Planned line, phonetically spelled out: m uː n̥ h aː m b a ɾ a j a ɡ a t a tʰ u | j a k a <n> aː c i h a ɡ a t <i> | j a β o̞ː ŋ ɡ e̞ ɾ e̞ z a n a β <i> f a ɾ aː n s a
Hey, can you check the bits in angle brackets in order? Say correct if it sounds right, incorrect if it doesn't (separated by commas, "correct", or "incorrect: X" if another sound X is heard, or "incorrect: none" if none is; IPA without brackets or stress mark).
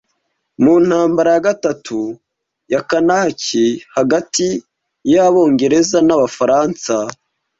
correct, correct, incorrect: a